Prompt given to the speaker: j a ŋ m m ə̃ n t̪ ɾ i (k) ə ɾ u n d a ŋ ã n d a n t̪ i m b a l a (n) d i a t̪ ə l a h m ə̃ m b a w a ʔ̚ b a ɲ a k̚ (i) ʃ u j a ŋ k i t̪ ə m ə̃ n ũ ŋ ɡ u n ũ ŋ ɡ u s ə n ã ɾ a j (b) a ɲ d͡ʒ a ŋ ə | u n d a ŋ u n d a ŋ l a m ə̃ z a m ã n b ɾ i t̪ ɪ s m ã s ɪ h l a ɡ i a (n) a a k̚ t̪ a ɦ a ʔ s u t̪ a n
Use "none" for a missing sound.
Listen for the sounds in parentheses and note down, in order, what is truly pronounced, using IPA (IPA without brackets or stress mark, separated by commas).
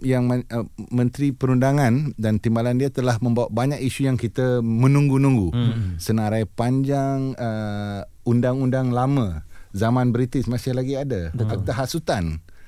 p, n, i, p, d